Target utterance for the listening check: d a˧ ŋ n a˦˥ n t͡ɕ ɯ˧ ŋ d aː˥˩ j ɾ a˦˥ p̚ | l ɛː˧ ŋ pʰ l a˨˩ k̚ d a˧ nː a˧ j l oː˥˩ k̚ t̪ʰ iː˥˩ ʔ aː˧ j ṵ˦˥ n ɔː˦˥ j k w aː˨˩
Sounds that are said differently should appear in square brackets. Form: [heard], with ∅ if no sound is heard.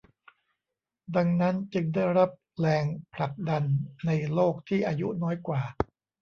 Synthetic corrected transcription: d a˧ ŋ n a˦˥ n t͡ɕ ɯ˧ ŋ d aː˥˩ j ɾ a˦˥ p̚ | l ɛː˧ ŋ pʰ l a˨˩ k̚ d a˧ nː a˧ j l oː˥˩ k̚ t̪ʰ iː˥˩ ʔ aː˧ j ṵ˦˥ n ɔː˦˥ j k w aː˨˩